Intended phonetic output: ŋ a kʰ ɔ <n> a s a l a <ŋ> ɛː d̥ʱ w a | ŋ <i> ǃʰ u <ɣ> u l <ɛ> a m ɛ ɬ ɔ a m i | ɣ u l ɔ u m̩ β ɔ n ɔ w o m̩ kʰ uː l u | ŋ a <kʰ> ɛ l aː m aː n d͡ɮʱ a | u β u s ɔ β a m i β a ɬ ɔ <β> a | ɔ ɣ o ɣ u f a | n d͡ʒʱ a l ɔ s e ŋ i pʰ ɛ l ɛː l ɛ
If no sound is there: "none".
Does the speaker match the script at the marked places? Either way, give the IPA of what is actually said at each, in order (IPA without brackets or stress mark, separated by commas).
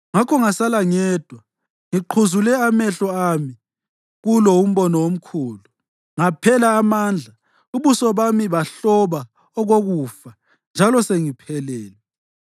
ŋ, ŋ, i, z, ɛ, pʰ, β